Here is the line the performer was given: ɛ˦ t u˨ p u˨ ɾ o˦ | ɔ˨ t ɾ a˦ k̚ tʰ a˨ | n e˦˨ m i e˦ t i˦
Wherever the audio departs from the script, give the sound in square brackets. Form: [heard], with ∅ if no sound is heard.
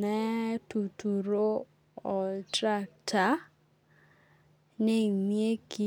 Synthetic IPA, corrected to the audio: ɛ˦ t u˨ [t] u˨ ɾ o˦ | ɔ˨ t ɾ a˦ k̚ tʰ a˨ | n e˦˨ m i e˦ [k] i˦